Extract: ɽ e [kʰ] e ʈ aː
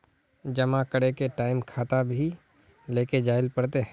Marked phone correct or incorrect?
incorrect